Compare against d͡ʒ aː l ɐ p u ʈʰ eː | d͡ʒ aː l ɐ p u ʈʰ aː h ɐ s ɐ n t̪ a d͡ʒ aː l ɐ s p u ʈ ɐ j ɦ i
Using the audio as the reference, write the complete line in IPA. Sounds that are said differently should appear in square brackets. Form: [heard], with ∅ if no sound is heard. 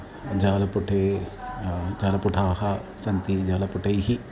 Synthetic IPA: d͡ʒ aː l ɐ p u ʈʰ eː | d͡ʒ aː l ɐ p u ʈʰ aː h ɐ s ɐ n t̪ [i] d͡ʒ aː l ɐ [∅] p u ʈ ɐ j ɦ i